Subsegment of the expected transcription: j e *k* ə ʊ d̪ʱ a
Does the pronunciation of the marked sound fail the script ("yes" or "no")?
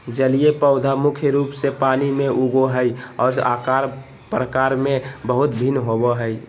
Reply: yes